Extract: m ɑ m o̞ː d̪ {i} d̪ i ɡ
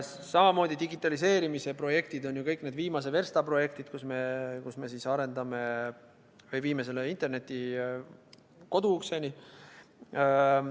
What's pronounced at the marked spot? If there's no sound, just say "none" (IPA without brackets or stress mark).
i